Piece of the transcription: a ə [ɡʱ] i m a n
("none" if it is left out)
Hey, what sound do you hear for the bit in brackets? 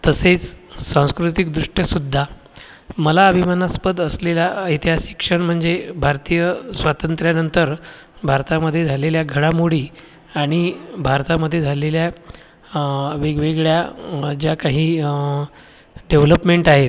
bʱ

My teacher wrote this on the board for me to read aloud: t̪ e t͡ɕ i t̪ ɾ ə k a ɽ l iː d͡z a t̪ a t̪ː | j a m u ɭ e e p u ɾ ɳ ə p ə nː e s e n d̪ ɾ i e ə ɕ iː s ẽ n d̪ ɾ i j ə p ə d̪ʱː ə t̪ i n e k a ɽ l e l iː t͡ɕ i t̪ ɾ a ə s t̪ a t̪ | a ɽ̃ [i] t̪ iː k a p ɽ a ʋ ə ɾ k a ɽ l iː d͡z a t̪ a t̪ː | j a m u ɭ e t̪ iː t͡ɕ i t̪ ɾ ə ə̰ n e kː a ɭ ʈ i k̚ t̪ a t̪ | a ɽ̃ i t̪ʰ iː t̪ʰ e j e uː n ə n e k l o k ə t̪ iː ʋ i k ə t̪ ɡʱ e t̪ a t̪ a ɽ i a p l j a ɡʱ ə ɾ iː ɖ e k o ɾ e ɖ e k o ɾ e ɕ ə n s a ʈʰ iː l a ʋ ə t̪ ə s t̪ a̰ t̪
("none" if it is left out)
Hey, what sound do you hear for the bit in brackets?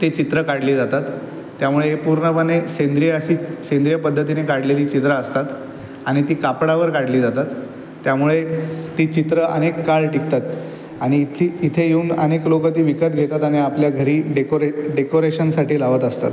i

